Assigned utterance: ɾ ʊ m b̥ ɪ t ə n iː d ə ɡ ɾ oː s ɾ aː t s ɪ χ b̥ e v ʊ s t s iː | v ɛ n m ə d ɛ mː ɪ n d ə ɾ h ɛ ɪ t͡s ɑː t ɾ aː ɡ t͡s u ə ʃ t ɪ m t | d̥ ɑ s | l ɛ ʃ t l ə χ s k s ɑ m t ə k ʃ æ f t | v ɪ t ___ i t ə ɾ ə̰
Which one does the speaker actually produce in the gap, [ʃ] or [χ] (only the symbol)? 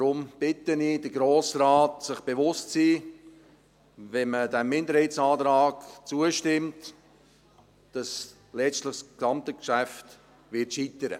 ʃ